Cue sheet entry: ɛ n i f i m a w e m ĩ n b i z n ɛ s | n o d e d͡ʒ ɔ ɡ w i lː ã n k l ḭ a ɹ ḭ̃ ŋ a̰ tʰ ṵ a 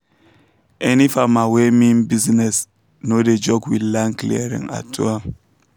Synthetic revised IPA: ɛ n i f a m a w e m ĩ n b i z n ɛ s | n o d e d͡ʒ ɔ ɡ w i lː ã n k l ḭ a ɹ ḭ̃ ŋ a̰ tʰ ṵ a